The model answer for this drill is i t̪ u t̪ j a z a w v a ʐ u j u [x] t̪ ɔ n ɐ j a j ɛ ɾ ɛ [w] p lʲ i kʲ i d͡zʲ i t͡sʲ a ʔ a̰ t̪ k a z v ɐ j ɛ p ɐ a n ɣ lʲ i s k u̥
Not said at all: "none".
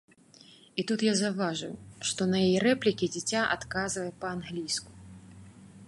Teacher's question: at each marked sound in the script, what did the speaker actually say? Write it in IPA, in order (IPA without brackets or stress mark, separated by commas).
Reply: ʂ, none